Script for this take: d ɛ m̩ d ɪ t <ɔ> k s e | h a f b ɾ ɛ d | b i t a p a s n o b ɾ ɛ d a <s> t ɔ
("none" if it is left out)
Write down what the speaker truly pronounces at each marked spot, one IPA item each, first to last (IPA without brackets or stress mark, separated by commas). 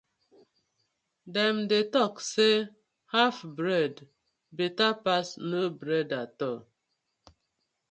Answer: ɔ, none